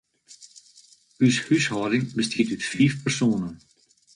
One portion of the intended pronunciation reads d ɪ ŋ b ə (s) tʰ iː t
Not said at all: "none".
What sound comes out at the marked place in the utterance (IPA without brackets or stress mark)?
s